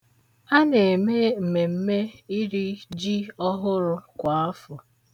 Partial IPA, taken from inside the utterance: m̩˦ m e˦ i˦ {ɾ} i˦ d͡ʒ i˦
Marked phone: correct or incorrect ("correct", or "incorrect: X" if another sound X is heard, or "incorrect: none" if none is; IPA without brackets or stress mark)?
correct